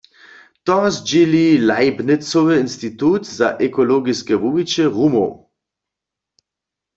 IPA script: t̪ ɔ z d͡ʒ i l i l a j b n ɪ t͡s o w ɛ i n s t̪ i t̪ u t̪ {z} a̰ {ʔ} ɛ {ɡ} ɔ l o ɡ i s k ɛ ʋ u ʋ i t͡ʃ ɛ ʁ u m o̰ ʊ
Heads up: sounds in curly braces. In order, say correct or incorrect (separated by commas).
correct, correct, incorrect